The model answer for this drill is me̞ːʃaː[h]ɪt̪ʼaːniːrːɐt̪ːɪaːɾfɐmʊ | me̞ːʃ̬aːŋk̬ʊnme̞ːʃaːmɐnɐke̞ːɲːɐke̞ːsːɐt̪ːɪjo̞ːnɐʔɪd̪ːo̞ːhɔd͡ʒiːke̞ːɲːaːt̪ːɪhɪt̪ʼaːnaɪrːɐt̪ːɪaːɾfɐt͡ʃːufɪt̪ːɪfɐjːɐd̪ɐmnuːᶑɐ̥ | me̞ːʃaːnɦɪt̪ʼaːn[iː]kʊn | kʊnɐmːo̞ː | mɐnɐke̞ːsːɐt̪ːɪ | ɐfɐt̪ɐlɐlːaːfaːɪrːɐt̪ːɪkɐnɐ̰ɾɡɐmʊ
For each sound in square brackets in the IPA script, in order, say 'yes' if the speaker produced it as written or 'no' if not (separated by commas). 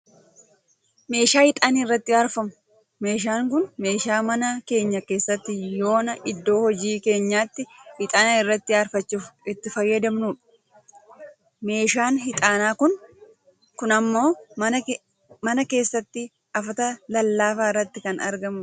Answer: yes, no